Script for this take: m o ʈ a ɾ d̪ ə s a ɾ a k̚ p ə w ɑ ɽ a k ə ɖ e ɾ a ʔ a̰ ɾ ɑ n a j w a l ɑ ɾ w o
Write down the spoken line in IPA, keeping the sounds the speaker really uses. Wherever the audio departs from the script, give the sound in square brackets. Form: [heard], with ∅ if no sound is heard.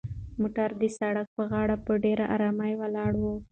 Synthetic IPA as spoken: m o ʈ a ɾ d̪ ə s a [ɽ] a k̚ p ə [ɣ] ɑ ɽ a [p] ə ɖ e ɾ a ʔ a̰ ɾ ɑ [m] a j w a l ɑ [ɽ] w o